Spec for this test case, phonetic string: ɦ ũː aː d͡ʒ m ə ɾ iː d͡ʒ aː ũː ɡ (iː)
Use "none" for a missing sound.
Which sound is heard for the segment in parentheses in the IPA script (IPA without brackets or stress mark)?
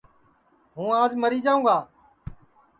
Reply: aː